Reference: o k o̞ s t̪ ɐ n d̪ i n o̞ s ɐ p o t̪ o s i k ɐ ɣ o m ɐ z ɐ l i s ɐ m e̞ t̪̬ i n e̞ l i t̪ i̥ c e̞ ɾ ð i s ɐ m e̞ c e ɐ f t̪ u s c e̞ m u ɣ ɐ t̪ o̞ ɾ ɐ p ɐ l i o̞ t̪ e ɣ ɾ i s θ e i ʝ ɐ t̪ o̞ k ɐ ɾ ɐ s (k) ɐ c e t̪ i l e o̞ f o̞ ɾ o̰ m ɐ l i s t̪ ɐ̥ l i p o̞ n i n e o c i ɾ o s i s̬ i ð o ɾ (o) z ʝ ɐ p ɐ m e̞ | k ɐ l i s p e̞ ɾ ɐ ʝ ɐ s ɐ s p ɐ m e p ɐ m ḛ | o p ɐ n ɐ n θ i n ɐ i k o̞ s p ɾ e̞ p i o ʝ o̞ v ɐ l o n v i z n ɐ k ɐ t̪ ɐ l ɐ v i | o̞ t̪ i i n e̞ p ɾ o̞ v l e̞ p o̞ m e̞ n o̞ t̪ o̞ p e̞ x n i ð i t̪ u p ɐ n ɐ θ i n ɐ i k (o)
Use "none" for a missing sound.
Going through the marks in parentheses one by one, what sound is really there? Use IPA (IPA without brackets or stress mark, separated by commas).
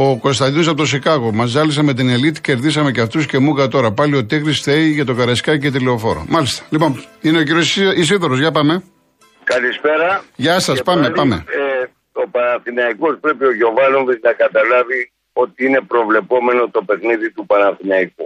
k, o, u